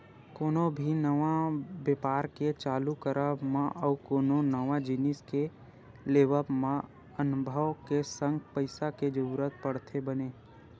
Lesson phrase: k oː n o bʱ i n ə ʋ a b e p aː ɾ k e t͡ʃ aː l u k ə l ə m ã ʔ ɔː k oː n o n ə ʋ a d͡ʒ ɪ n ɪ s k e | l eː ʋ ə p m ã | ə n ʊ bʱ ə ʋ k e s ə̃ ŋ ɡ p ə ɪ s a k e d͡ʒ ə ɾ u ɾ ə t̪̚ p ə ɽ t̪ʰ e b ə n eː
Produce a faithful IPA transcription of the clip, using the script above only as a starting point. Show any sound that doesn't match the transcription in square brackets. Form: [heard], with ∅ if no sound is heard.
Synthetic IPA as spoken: k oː n o bʱ i n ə ʋ a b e p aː ɾ k e t͡ʃ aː l u k ə [ɾ] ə m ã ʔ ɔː k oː n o n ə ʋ a d͡ʒ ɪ n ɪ s k e | l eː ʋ ə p m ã | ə n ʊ bʱ ə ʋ k e s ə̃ ŋ ɡ p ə ɪ s a k e d͡ʒ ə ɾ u ɾ ə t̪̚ p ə ɽ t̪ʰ e b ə n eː